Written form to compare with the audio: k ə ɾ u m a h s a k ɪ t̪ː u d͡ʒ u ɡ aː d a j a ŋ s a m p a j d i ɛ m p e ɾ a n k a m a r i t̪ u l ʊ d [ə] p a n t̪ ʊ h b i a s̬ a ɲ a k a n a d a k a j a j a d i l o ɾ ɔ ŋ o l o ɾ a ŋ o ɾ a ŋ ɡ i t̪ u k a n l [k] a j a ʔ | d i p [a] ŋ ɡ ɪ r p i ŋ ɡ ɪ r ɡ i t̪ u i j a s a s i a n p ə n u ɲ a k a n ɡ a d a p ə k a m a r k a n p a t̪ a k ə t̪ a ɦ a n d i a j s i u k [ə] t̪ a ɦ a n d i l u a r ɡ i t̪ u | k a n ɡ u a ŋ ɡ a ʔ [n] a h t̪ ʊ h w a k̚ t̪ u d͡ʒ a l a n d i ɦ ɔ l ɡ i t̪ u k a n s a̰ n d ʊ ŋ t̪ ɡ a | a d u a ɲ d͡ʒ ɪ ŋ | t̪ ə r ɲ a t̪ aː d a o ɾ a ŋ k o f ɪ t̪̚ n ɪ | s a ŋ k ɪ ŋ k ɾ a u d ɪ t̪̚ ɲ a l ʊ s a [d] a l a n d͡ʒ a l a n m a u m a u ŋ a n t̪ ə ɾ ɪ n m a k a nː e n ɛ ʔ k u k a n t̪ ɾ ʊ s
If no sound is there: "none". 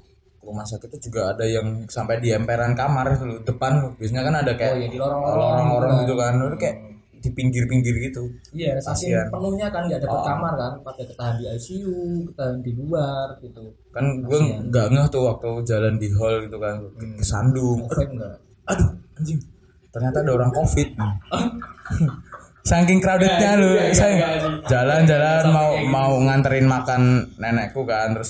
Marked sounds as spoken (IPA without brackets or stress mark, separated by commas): ə, k, i, ə, ŋ, d͡ʒ